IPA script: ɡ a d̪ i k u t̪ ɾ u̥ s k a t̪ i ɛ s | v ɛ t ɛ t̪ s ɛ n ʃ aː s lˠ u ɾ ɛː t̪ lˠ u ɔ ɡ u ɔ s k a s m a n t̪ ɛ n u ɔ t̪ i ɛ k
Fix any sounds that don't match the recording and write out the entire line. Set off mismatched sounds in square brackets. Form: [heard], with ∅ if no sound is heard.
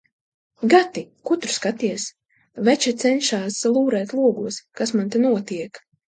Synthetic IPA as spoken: ɡ a [t̪] i k u t̪ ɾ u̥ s k a t̪ i ɛ s | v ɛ [t͡ʃ] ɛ t̪ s ɛ n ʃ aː s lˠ [uː] ɾ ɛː t̪ lˠ u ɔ ɡ u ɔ s k a s m a n t̪ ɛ n u ɔ t̪ i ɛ k